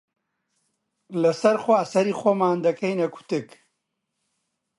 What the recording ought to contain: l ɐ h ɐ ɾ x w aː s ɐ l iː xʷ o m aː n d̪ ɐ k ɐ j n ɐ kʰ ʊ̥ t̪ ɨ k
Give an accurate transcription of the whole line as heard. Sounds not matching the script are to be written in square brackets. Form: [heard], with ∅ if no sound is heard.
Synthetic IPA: l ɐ [s] ɐ ɾ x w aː s ɐ [ɾ] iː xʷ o m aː n d̪ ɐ k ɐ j n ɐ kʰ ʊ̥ t̪ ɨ k